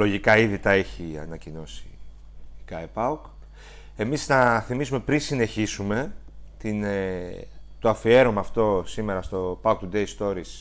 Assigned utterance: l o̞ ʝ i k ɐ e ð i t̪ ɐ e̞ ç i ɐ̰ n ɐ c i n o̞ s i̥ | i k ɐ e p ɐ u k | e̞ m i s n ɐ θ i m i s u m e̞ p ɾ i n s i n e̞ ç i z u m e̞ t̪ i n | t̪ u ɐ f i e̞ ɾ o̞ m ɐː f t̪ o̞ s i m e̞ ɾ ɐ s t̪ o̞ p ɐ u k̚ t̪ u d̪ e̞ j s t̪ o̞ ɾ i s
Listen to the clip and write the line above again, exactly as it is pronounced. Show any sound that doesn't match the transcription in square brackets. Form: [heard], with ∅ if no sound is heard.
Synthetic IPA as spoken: l o̞ ʝ i k ɐ [i] ð i t̪ ɐ e̞ ç i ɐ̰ n ɐ c i n o̞ s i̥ | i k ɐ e p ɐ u k | e̞ m i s n ɐ θ i m i s u m e̞ p ɾ i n s i n e̞ ç i [s] u m e̞ t̪ i n | t̪ [o] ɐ f i e̞ ɾ o̞ m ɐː f t̪ o̞ s i m e̞ ɾ ɐ s t̪ o̞ p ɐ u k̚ t̪ u d̪ e̞ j s t̪ o̞ ɾ i s